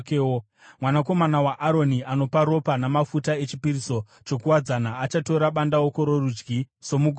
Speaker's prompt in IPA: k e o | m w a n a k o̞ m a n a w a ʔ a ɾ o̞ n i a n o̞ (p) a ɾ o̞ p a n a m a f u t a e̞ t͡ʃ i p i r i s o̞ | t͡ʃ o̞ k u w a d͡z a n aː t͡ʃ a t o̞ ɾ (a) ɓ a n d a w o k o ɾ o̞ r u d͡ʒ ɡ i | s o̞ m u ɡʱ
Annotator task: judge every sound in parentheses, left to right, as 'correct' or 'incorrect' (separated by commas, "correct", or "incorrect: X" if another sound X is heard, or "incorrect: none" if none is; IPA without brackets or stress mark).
correct, correct